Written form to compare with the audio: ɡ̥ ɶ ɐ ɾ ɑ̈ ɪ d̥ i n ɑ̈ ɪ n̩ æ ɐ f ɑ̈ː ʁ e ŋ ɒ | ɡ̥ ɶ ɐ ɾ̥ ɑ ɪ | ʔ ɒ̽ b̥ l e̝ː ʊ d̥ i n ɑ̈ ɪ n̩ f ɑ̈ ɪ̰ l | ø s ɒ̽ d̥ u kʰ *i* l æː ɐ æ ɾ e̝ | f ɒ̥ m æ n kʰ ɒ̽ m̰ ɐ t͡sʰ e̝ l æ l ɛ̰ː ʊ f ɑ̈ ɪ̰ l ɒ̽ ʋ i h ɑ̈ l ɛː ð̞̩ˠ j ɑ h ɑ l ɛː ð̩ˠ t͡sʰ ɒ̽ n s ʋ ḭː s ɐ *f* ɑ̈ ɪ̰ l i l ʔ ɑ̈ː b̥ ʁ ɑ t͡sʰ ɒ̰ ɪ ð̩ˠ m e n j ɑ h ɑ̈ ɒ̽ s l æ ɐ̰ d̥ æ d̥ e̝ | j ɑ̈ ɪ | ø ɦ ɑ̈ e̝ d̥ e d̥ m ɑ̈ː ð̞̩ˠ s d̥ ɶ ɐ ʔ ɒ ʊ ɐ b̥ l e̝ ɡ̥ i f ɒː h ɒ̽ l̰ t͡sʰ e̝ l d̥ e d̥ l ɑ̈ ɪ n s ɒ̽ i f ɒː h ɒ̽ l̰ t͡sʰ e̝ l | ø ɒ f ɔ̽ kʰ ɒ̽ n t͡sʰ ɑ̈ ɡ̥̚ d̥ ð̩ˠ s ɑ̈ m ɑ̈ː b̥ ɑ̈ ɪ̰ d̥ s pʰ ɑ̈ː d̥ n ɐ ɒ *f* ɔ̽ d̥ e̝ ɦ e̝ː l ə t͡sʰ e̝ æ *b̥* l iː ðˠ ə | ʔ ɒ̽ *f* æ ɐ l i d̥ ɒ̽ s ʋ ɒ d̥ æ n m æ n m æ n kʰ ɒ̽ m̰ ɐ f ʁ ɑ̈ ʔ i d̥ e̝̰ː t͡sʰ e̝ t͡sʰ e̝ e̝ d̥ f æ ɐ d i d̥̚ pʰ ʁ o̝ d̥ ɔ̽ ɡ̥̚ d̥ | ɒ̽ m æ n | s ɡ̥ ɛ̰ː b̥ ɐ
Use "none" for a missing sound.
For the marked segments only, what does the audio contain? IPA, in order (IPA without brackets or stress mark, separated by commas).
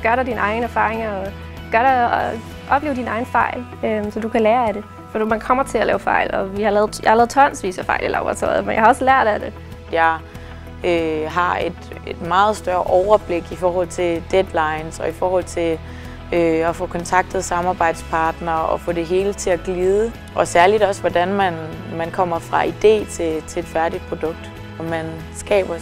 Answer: æ, f, f, ɡ̥, s